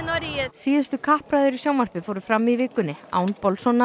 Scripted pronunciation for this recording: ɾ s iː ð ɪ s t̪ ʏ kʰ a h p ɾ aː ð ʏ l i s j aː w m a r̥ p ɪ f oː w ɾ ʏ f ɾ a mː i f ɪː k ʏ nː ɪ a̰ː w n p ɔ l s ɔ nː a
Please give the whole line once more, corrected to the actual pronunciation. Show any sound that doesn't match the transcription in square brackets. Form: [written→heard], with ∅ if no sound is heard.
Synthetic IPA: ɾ s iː ð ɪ s t̪ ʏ kʰ a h p ɾ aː ð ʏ [l→ɾ] i s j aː w m a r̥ p ɪ f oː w ɾ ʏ f ɾ a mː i [f→v] ɪː k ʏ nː ɪ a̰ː w n p ɔ l s ɔ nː a